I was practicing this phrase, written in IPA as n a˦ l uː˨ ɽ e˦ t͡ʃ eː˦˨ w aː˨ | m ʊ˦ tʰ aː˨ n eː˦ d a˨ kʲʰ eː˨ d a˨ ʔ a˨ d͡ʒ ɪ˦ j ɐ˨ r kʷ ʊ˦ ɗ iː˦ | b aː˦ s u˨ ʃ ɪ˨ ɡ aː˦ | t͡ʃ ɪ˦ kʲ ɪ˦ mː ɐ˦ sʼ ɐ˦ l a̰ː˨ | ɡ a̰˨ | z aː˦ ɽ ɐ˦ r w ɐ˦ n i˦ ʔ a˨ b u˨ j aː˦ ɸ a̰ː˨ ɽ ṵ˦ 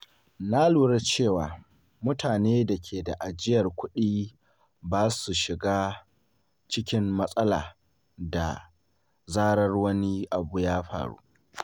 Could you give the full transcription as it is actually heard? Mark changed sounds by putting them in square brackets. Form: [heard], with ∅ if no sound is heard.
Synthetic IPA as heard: n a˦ l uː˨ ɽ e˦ t͡ʃ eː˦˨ w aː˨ | m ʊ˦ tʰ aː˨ n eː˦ d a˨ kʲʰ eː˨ d a˨ ʔ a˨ d͡ʒ ɪ˦ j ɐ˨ r kʷ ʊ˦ ɗ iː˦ | b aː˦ s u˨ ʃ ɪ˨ ɡ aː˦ | t͡ʃ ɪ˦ kʲ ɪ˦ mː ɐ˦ sʼ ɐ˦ l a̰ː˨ | [d] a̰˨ | z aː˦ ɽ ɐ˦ r w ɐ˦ n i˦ ʔ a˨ b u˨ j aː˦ ɸ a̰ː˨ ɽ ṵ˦